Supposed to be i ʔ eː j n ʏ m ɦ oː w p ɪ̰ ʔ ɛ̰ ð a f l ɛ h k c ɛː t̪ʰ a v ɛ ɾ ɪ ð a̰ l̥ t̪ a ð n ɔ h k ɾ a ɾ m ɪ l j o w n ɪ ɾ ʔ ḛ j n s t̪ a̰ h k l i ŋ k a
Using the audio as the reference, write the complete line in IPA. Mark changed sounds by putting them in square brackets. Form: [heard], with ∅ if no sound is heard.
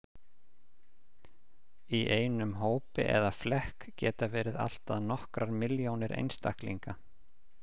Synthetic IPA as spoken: i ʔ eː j n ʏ m ɦ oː w p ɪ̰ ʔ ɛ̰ ð a f l ɛ h k c ɛː [t̪] a v [ɛː] ɾ ɪ ð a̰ l̥ t̪ a ð n ɔ h k ɾ a ɾ m ɪ l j o w n ɪ ɾ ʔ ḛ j n s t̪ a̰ h k l i ŋ k a